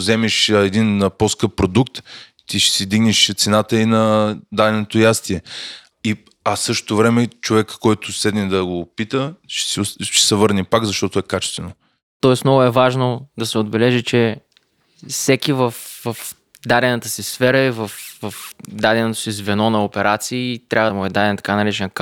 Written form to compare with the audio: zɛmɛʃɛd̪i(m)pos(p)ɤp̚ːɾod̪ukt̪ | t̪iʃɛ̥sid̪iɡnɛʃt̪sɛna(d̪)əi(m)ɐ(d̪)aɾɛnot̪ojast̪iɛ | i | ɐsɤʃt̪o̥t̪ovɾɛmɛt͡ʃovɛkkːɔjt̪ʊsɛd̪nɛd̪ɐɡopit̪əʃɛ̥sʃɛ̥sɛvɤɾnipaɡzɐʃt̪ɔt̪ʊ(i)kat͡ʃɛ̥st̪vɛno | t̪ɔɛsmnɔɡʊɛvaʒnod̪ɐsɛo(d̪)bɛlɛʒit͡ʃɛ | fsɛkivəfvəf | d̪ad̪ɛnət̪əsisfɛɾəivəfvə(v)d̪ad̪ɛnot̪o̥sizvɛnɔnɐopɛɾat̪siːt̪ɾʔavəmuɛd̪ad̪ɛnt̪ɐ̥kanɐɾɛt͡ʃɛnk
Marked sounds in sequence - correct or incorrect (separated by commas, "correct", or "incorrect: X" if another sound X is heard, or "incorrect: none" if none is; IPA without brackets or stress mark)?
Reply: incorrect: n, incorrect: k, incorrect: t̪, incorrect: n, correct, incorrect: ɛ, correct, incorrect: f